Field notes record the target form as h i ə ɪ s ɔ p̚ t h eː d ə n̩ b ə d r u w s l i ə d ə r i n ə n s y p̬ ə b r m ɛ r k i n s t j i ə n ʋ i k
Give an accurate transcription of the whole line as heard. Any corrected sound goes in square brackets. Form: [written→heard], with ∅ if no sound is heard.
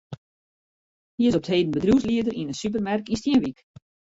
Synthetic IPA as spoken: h i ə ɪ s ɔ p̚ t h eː d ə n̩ b ə d r u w s l i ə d ə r i n ə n s y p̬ ə [b→∅] r m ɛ r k i n s t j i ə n ʋ i k